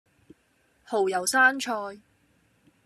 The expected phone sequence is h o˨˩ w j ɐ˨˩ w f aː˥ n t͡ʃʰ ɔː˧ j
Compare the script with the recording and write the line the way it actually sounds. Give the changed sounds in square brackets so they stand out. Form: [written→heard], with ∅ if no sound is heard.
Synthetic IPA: h o˨˩ w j ɐ˨˩ w [f→s] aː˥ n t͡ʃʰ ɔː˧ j